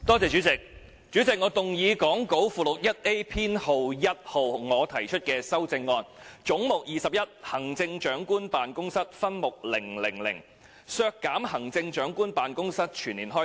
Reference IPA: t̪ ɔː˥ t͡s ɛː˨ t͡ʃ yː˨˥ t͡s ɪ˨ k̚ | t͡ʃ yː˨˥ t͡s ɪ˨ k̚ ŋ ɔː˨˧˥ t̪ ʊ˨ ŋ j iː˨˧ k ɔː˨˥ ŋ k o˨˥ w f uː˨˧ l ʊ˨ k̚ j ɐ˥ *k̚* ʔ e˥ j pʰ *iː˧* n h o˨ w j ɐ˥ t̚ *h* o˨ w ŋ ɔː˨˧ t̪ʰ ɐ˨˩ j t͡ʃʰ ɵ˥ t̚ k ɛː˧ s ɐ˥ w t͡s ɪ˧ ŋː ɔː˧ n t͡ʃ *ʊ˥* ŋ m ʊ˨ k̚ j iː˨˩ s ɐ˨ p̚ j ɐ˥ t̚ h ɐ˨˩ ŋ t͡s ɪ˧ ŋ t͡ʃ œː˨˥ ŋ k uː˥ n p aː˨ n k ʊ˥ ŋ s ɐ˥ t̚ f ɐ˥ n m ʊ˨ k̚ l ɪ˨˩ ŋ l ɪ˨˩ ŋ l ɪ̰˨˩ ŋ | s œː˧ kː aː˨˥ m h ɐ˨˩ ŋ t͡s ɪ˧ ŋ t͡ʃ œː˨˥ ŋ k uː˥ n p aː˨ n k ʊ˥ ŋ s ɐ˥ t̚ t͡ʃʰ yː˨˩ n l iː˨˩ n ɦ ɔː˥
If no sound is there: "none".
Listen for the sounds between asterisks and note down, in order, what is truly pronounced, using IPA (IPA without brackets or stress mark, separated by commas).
t̚, iː˥, h, ʊ˨˥